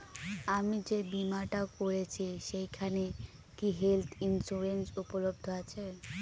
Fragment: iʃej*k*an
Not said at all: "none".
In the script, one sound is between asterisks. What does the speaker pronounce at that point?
kʰ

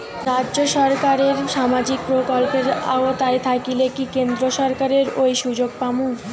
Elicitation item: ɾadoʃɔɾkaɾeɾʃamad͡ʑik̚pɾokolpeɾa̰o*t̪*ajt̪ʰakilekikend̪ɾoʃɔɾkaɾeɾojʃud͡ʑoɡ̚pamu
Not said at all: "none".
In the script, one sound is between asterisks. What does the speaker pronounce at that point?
t̪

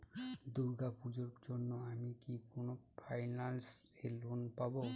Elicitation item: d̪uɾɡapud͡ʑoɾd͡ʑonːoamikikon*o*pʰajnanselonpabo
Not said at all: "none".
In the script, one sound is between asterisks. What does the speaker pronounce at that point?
o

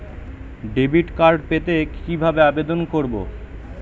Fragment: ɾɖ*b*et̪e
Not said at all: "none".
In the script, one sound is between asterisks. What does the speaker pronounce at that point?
p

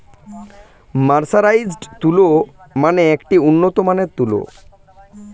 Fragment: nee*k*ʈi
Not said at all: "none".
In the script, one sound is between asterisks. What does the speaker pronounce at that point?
k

